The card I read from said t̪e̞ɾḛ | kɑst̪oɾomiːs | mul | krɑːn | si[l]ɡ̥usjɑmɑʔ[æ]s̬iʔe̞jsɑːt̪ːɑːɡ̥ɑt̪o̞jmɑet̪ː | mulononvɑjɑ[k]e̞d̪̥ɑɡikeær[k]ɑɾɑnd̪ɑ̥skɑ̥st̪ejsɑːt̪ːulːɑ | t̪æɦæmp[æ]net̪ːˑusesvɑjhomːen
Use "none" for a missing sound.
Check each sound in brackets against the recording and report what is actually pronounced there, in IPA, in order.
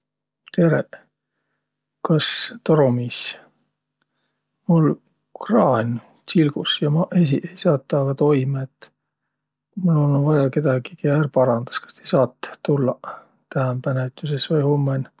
l, e, k, p, æ

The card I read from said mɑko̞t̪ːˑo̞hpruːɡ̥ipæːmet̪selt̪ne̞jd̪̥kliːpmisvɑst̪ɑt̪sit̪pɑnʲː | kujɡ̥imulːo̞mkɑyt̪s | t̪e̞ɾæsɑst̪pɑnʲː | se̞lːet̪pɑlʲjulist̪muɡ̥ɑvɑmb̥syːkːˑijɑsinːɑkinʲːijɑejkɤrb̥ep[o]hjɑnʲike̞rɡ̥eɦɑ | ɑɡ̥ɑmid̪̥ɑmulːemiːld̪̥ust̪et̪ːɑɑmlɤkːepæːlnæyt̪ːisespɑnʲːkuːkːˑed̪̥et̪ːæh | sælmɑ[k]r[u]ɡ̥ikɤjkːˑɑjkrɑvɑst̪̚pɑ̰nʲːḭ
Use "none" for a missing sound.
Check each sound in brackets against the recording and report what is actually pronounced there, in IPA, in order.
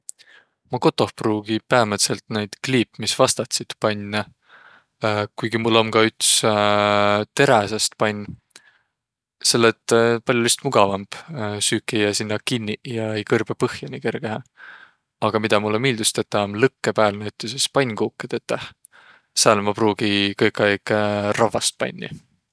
ɤ, p, uː

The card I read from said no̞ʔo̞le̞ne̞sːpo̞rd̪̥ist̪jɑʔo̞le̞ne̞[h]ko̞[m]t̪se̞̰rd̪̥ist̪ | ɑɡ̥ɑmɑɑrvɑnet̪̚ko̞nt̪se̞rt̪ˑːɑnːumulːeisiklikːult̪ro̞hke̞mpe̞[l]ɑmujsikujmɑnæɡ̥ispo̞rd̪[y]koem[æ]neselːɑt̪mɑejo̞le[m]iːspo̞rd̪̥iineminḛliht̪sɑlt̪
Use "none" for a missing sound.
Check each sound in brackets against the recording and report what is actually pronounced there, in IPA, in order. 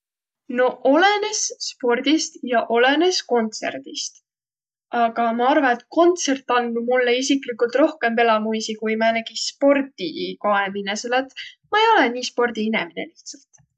s, n, l, i, i, n

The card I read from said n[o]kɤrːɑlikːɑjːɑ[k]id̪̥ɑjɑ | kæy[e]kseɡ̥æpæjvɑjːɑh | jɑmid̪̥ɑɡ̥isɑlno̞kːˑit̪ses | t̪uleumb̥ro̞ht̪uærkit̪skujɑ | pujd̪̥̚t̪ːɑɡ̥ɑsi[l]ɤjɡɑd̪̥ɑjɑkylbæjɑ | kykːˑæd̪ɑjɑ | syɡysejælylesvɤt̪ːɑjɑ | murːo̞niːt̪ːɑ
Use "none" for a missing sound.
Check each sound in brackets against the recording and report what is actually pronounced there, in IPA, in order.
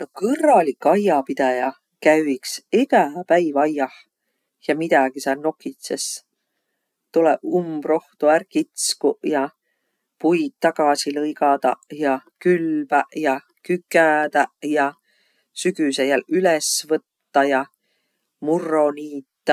o, p, i, l

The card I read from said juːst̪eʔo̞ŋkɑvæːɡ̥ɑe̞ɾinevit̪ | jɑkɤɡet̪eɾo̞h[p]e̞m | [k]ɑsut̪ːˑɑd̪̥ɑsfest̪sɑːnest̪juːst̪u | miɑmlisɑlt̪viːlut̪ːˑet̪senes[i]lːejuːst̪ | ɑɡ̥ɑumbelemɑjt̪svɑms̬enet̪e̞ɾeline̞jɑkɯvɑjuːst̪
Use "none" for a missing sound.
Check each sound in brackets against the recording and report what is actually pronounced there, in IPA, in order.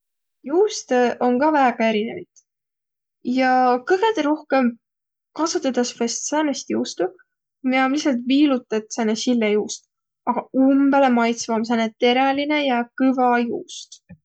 k, k, i

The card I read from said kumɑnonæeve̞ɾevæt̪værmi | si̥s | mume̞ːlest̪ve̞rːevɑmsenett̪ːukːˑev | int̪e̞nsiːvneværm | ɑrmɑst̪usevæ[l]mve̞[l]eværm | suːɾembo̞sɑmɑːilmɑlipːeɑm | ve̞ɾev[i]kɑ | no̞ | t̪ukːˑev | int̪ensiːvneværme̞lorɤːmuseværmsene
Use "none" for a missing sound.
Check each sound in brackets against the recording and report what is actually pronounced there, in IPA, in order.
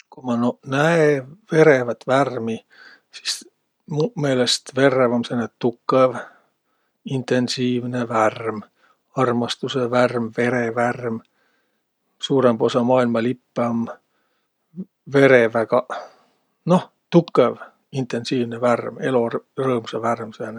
r, ɾ, æ

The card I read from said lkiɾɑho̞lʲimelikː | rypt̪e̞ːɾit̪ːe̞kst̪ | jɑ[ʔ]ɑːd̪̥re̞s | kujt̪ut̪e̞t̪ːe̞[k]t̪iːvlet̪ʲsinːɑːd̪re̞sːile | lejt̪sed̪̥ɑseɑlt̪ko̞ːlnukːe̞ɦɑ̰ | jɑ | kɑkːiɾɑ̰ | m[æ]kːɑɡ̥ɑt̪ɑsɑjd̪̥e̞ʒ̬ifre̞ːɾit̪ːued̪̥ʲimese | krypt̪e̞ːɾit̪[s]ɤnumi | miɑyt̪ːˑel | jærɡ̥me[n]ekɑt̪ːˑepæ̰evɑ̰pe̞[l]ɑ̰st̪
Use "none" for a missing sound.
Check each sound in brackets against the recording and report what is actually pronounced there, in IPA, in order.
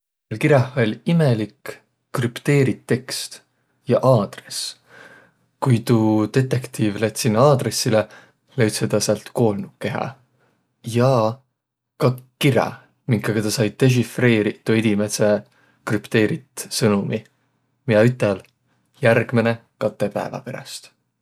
ʔ, k, i, s, n, ɾ

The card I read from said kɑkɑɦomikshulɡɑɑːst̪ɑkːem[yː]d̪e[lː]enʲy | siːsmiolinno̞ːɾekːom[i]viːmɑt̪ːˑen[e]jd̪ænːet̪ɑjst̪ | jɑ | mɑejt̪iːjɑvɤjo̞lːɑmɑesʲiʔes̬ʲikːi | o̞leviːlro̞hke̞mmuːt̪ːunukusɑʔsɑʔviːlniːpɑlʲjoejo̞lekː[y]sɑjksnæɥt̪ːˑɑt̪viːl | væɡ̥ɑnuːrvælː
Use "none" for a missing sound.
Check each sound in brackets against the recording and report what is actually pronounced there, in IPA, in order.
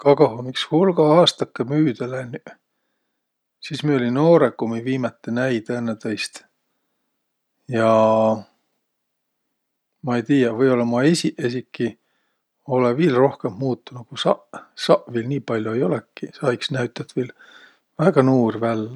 yː, l, i, æ, i

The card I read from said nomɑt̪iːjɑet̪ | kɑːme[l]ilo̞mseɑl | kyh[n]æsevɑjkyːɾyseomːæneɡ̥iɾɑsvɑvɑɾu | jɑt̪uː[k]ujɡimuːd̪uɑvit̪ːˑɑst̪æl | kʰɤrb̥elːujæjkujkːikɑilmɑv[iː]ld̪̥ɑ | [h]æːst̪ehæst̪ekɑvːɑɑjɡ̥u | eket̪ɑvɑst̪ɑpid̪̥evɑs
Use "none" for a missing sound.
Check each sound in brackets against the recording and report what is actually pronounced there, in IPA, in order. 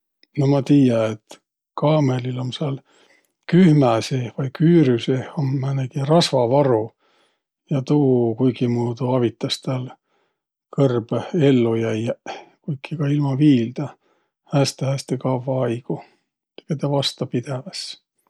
l, m, k, iː, h

